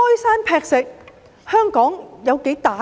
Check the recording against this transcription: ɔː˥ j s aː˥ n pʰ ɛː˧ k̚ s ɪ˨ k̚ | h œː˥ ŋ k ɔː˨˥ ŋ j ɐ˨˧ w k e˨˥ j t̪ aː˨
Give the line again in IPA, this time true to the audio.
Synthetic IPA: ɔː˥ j s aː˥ n pʰ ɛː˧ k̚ s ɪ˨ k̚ | h œː˥ ŋ k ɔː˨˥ ŋ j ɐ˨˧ w k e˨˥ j t̪ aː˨